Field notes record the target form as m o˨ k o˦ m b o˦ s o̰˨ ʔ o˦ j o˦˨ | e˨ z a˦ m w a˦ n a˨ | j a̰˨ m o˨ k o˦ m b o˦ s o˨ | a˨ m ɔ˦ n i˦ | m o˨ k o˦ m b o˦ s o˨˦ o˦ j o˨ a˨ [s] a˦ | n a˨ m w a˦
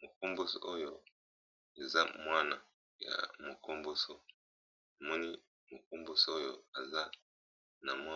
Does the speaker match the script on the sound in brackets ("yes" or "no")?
no